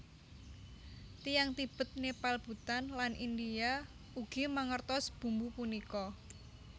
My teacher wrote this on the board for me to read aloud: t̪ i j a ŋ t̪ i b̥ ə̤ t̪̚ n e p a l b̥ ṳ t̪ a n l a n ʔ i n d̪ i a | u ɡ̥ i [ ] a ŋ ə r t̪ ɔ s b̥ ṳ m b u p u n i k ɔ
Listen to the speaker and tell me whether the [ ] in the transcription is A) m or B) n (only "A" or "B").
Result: A